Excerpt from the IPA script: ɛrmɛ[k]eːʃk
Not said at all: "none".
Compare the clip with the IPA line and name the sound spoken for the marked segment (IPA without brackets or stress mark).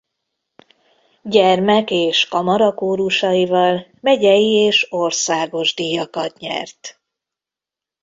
k